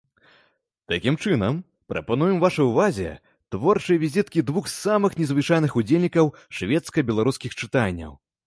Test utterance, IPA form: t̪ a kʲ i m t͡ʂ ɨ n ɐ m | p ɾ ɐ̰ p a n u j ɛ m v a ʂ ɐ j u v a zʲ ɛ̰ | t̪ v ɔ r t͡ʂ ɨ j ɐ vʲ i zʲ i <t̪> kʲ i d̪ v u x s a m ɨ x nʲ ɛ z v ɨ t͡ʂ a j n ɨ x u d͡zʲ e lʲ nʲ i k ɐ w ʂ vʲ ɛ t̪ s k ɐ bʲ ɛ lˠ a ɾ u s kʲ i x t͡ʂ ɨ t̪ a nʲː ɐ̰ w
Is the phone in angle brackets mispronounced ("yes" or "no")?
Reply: no